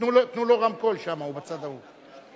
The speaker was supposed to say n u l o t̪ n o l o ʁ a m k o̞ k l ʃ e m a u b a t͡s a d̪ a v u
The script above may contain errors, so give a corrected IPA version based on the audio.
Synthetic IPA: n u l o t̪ n u l o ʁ a m k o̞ l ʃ a m a u b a t͡s a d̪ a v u